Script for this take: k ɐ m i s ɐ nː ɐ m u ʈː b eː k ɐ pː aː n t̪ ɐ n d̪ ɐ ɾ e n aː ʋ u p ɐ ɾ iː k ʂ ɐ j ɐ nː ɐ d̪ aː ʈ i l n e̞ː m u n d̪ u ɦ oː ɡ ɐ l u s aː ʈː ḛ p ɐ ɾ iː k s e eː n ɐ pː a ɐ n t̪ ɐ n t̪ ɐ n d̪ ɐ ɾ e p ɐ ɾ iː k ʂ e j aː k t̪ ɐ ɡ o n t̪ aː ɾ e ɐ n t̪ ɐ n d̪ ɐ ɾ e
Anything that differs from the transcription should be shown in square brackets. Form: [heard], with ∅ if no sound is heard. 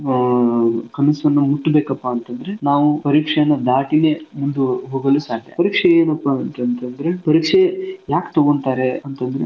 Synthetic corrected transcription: k ɐ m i s ɐ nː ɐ m u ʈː b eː k ɐ pː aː n t̪ ɐ n d̪ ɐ ɾ e n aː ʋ u p ɐ ɾ iː k ʂ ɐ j ɐ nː ɐ d̪ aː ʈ i [∅] n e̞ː m u n d̪ u ɦ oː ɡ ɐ l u s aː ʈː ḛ p ɐ ɾ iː k [ʂ] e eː n ɐ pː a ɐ n t̪ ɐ n t̪ ɐ n d̪ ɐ ɾ e p ɐ ɾ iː k ʂ e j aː k t̪ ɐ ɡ o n t̪ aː ɾ e ɐ n t̪ ɐ n d̪ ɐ ɾ e